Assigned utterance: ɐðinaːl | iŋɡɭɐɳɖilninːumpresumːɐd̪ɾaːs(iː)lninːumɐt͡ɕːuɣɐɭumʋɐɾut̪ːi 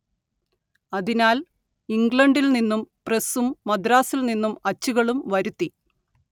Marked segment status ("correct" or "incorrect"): incorrect